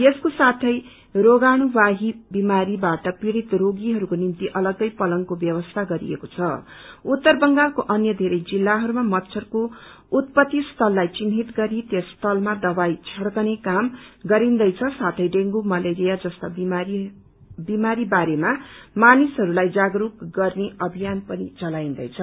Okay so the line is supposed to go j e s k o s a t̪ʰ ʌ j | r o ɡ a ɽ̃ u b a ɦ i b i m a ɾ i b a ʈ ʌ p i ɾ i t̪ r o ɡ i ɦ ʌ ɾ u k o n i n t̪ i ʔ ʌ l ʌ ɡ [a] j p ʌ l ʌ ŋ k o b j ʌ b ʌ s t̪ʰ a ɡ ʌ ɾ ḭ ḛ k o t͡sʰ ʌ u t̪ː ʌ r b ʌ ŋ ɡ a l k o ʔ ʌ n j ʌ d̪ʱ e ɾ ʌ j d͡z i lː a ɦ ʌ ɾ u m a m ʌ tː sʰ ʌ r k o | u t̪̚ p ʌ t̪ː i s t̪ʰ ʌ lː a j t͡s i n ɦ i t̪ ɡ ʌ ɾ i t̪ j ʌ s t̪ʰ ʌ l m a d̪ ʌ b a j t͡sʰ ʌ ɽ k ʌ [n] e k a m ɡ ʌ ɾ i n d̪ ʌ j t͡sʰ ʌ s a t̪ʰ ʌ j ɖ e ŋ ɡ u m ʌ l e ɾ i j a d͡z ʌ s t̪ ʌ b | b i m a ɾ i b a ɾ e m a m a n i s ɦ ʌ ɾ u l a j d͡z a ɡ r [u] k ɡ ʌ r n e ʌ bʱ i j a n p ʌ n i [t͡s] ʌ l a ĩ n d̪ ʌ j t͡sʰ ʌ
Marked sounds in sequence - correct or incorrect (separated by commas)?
incorrect, correct, correct, correct